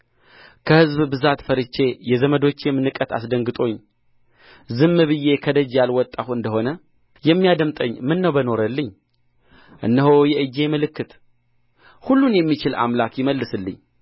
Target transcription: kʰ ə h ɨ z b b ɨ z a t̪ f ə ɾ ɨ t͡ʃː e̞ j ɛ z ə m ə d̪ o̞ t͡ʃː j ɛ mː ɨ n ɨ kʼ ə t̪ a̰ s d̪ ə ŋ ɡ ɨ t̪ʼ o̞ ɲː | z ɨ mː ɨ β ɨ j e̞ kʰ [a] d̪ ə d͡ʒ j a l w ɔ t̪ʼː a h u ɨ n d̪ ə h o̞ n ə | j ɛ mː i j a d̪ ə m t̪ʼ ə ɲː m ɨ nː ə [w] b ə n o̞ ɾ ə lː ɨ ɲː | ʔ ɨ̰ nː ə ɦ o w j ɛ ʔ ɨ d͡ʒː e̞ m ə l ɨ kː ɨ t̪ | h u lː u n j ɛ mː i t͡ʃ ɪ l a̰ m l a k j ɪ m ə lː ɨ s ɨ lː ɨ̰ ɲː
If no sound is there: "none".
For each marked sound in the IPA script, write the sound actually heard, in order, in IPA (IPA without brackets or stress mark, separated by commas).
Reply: ə, w